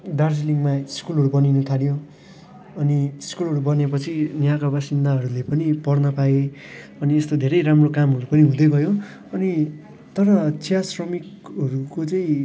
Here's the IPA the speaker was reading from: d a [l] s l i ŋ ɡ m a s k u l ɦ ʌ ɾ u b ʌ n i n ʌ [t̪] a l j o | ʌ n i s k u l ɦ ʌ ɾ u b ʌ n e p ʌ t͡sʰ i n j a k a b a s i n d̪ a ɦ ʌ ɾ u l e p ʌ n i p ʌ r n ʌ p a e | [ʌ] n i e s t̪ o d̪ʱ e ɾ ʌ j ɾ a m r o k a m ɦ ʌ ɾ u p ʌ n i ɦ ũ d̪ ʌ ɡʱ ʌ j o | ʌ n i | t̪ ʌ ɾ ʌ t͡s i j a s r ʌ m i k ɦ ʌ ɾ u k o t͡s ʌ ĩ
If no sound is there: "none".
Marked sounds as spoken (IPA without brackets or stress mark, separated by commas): r, t̪ʰ, ʌ